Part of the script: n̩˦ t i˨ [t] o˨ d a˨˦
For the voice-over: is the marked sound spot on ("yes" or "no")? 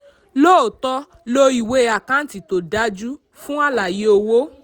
yes